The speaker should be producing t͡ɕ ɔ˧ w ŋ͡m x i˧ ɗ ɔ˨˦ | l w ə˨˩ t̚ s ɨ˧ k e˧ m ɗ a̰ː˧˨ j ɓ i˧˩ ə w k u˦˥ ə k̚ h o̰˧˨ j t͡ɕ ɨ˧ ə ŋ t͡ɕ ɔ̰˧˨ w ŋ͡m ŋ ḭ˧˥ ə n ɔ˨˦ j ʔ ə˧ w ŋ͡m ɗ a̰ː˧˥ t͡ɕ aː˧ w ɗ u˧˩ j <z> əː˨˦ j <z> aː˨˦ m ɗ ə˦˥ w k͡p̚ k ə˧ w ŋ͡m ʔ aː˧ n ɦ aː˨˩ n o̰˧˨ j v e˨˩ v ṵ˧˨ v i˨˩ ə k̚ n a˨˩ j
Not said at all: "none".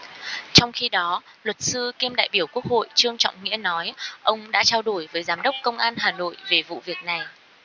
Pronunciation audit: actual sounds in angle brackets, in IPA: v, z

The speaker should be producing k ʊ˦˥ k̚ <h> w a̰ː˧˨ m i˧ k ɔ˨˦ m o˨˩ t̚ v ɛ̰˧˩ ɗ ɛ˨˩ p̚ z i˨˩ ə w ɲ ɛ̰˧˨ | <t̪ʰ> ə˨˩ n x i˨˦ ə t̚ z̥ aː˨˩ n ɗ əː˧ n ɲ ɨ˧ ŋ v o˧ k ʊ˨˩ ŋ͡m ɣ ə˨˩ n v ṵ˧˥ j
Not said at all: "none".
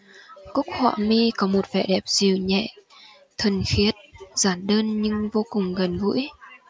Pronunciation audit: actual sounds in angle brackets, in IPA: h, t̪ʰ

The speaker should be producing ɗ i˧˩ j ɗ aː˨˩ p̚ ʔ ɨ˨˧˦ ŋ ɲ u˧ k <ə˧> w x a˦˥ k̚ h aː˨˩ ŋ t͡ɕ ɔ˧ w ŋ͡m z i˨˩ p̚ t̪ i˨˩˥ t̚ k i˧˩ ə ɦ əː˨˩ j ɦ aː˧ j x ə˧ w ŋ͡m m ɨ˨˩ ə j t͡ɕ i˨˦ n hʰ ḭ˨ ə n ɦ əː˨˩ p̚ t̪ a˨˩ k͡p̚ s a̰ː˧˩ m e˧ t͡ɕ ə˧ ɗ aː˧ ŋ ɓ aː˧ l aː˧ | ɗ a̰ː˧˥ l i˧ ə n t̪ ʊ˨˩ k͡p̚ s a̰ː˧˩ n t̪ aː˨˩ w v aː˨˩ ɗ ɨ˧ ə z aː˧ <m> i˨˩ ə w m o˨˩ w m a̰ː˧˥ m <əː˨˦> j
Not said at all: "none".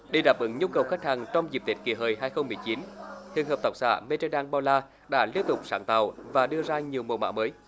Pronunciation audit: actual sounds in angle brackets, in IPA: ə˨˩, ɲ, əː˨˦

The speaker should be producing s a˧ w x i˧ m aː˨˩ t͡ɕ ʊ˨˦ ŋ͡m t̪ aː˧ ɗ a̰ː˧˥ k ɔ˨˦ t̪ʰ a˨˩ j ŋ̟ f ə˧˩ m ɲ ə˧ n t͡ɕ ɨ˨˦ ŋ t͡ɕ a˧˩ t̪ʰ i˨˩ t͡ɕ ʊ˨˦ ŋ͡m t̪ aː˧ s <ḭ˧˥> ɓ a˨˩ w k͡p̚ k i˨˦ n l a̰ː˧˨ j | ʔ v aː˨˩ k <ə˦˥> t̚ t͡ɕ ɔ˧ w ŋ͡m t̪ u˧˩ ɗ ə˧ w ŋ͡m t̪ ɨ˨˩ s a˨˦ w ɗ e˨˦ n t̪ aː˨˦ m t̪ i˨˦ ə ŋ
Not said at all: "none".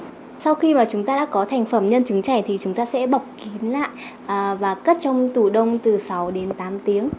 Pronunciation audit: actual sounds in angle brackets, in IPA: ɛ̰˧˥, ə˦˥

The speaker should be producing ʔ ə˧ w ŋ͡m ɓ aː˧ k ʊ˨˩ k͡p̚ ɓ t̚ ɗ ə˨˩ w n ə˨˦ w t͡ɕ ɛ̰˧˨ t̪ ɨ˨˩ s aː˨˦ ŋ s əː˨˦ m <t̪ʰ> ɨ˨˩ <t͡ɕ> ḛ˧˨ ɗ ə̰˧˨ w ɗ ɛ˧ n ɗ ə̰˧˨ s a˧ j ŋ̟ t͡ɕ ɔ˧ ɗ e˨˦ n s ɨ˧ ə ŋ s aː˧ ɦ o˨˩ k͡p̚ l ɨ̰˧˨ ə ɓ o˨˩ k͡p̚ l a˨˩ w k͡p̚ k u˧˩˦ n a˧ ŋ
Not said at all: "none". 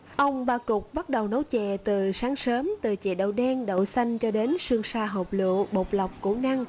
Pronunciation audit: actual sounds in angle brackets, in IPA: t̪, t͡ɕ

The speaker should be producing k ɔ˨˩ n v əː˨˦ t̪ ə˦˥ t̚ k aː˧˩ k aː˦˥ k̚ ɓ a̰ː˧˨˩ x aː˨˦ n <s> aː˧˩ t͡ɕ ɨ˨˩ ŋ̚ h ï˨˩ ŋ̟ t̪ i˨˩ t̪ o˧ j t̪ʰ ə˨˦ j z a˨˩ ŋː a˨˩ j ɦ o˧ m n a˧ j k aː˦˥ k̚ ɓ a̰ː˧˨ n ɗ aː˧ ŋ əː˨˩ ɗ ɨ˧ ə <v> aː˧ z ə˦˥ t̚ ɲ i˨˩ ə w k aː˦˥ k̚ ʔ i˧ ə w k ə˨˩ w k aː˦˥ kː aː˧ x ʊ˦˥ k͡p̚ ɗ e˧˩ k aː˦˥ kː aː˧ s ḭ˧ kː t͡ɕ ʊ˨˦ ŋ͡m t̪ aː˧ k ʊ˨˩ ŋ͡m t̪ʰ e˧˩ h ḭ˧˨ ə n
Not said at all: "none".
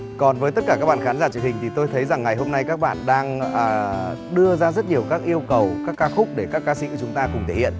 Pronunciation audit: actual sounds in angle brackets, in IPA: z, z

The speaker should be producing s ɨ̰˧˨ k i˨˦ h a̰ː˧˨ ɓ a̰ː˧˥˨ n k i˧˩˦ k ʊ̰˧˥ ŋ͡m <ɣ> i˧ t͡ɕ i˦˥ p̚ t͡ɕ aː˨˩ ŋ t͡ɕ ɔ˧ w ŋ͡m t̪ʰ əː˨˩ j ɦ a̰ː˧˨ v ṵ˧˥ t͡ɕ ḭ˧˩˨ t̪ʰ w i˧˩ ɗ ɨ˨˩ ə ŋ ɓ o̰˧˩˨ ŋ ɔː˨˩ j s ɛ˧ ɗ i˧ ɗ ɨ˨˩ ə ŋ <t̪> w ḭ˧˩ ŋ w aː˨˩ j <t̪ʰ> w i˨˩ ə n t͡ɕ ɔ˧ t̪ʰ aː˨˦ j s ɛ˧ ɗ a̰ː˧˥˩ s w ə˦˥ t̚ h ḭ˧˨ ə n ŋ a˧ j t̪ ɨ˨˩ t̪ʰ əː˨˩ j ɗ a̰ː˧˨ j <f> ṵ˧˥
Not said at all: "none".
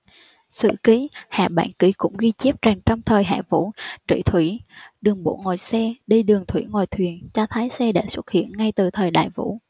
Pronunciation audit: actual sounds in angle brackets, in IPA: ɣ, t̪ʰ, t̪ʰ, v

